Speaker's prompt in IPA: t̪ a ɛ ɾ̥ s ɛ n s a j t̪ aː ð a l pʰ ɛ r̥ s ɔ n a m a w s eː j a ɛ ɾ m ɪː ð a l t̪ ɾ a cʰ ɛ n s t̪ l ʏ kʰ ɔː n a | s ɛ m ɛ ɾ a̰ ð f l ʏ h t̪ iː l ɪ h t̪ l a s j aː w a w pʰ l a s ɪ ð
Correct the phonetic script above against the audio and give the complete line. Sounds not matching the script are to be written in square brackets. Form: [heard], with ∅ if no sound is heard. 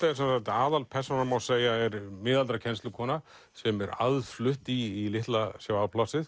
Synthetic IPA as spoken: t̪ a ɛ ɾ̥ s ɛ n s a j t̪ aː ð a l pʰ ɛ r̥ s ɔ n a m a w s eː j a ɛ ɾ m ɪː ð a l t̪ ɾ a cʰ ɛ n s t̪ l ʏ kʰ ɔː n a | s ɛ m ɛ ɾ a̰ ð f l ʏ h t̪ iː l ɪ h t̪ l a s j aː w a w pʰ l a s ɪ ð